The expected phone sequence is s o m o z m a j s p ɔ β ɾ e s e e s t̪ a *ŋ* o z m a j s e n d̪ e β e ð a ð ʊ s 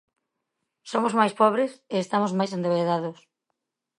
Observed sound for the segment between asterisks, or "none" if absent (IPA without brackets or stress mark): m